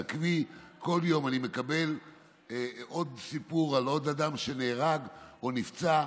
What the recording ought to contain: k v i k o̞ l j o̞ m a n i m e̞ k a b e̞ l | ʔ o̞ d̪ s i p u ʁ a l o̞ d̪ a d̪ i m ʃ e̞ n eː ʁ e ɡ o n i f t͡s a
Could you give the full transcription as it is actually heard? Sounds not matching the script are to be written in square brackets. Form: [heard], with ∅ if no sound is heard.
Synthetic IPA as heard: k v i k o̞ l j o̞ m a n i m e̞ k a b e̞ l | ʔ o̞ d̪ s i p u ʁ a l o̞ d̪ a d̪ [a] m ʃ e̞ n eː ʁ [a] ɡ o n i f t͡s a